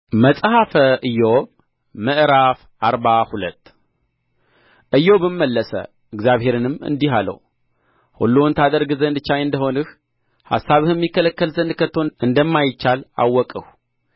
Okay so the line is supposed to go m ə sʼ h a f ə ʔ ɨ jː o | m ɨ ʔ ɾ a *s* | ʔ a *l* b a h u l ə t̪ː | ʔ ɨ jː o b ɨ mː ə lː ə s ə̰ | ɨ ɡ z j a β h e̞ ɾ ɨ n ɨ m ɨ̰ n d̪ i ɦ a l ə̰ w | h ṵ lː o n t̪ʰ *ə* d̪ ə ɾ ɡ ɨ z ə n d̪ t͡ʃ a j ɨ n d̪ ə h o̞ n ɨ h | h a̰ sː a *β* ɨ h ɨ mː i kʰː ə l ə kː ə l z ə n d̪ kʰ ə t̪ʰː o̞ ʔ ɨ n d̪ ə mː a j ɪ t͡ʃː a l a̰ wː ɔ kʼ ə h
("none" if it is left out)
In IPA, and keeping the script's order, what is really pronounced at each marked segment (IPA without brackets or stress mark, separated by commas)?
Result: f, ɾ, a, β